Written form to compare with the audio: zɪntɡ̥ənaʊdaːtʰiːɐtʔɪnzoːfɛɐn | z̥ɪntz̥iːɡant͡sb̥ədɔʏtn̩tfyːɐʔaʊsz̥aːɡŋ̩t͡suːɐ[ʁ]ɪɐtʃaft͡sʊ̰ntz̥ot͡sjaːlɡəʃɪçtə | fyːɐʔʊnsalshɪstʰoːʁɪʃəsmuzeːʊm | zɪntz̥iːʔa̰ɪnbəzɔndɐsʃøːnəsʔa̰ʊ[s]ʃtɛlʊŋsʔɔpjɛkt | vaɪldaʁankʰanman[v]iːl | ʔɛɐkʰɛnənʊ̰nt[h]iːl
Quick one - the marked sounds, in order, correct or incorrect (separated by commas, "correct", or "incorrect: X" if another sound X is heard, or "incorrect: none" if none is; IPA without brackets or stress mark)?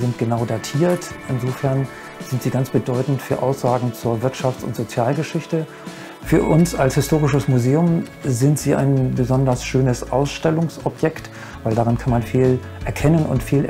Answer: incorrect: v, correct, incorrect: f, incorrect: f